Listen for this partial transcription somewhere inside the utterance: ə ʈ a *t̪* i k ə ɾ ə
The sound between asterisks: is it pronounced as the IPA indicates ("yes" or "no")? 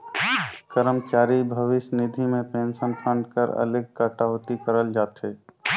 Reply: yes